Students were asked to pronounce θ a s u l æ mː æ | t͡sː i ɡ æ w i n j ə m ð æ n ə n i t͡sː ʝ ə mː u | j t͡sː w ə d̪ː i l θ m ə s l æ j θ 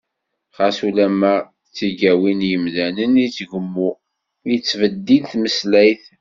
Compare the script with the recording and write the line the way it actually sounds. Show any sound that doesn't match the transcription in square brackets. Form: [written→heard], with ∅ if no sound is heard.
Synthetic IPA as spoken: [θ→χ] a s u l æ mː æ | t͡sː i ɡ æ w i n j ə m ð æ n ə n i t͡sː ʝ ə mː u | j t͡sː [w→v] ə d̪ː i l θ m ə s l æ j θ